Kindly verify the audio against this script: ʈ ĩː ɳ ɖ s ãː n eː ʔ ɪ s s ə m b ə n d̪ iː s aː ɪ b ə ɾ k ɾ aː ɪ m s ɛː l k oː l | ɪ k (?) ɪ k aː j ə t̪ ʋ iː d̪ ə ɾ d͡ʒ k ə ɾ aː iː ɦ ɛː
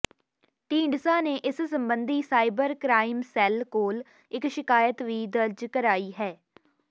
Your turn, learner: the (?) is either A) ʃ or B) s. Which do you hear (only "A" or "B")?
A